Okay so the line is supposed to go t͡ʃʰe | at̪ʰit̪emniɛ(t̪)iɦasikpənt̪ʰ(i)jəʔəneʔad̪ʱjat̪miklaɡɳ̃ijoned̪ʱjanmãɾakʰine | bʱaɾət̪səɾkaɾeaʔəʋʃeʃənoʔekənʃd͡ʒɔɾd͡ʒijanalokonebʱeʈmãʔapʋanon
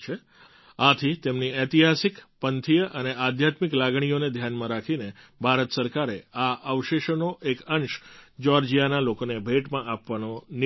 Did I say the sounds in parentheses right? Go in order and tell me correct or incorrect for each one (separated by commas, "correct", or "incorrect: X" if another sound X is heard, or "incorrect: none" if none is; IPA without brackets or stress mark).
correct, correct